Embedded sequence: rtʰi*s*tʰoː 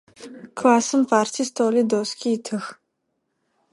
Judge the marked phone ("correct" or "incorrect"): correct